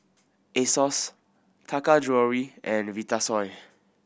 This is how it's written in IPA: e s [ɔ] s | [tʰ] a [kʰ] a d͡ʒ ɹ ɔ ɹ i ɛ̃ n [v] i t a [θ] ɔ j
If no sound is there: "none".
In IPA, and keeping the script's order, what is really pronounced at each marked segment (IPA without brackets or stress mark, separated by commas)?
ɔ, tʰ, k, v, s